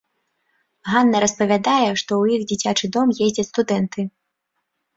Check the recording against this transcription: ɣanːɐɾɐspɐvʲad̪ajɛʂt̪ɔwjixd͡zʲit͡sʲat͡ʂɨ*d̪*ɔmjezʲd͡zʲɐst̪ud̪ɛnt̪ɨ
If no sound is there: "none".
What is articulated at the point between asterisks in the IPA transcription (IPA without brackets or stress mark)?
d̪